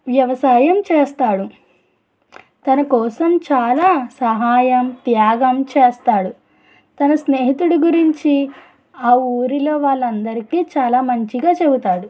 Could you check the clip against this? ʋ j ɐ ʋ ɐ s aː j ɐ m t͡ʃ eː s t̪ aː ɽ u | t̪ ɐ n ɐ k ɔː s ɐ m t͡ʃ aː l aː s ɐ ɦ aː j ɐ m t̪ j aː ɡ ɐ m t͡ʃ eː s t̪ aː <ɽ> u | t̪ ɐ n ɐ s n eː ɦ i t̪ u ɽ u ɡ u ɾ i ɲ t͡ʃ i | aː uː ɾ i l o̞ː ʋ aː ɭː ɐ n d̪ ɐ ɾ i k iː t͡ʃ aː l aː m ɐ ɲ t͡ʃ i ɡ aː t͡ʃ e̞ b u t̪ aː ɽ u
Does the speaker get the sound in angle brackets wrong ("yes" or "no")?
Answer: no